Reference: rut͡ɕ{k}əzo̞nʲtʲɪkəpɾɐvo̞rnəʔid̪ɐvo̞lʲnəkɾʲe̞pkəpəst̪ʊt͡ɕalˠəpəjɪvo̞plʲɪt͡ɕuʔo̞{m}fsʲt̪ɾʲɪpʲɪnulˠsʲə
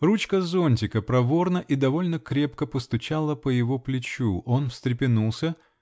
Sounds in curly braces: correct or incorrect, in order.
correct, incorrect

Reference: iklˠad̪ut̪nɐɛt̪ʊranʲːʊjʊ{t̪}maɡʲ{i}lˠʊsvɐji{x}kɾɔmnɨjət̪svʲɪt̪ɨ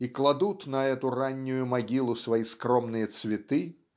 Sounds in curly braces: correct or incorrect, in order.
incorrect, correct, incorrect

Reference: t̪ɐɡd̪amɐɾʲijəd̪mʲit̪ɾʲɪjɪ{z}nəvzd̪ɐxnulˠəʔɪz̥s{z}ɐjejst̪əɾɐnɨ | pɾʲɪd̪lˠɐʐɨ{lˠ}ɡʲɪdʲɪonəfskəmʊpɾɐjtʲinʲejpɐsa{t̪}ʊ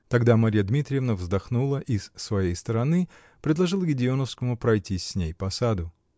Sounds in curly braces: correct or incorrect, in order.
incorrect, incorrect, correct, incorrect

